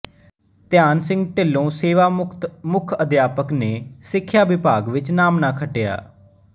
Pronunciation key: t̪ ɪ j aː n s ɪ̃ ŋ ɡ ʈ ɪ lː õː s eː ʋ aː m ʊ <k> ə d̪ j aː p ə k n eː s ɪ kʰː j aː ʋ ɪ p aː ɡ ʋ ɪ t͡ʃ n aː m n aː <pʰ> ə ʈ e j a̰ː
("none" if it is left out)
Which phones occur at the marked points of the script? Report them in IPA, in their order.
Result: kʰ, kʰ

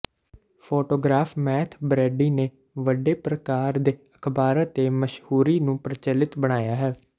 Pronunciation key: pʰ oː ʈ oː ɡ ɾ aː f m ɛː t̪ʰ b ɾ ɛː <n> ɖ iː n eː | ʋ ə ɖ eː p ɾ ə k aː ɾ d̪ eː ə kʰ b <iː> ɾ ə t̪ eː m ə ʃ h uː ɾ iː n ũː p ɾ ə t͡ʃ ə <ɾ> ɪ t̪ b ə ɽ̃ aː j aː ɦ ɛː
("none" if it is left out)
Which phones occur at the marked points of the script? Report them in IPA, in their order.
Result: none, aː, l

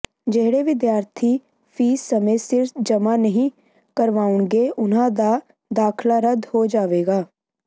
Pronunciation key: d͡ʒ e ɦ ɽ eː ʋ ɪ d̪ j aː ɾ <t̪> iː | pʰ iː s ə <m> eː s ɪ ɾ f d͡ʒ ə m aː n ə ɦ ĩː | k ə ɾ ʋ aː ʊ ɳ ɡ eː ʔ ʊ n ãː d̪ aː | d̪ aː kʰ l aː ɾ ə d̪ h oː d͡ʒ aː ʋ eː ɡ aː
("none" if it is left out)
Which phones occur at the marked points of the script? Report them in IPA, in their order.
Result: t̪ʰ, m

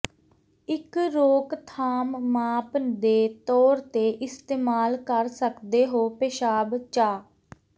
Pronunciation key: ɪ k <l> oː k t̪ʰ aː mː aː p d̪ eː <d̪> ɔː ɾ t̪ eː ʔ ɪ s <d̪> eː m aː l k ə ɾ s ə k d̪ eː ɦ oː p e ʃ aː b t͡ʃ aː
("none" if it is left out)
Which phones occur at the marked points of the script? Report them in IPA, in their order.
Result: ɾ, t̪, t̪

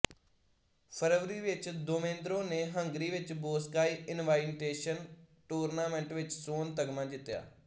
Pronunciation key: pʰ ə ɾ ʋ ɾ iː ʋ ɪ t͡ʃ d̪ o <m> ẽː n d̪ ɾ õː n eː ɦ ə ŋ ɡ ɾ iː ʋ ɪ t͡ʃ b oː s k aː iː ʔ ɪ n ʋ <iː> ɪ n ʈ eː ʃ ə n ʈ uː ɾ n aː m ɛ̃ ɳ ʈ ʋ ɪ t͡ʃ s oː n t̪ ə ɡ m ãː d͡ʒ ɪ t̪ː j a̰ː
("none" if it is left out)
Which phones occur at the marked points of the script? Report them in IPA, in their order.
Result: m, aː

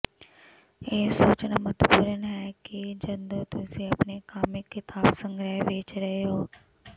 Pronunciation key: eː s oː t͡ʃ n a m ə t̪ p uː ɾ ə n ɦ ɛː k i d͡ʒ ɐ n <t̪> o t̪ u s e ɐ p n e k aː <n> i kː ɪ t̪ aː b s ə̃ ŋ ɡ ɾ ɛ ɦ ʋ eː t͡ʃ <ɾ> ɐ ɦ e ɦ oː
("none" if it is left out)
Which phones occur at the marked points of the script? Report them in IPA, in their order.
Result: d̪, m, ɾ

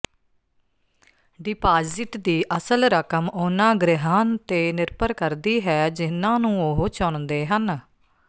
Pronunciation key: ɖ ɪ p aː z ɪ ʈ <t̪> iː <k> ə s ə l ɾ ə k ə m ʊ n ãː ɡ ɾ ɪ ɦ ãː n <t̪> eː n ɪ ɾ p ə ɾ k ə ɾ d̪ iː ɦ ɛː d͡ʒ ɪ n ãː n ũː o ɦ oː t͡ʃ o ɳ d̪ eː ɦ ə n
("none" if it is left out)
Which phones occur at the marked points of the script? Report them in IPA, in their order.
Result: d̪, ʔ, t̪

